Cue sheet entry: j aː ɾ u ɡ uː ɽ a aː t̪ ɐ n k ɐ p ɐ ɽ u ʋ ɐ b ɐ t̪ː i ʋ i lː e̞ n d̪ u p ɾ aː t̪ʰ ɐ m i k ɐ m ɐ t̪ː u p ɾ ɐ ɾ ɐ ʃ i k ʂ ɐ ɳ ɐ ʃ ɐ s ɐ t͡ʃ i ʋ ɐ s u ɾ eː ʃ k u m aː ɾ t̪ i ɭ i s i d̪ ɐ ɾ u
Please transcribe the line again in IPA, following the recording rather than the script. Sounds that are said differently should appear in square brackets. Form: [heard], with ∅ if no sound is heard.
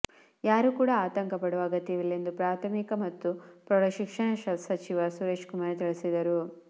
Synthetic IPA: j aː ɾ u [k] uː ɽ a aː t̪ ɐ [ŋ] k ɐ p ɐ ɽ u ʋ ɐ [ɡ] ɐ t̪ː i ʋ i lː e̞ n d̪ u p ɾ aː t̪ʰ ɐ m i k ɐ m ɐ t̪ː u p ɾ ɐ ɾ ɐ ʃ i k ʂ ɐ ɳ ɐ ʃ ɐ s ɐ t͡ʃ i ʋ ɐ s u ɾ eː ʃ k u m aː ɾ t̪ i ɭ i s i d̪ ɐ ɾ u